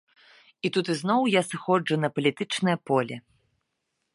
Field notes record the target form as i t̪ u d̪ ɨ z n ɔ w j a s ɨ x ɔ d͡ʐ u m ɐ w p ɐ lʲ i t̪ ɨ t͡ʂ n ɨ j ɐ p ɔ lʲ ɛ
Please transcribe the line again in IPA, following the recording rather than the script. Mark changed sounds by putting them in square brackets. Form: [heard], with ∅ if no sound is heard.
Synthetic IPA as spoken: i t̪ u [t̪] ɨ z n ɔ w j a s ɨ x ɔ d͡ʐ u [n] ɐ [∅] p ɐ lʲ i t̪ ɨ t͡ʂ n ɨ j ɐ p ɔ lʲ ɛ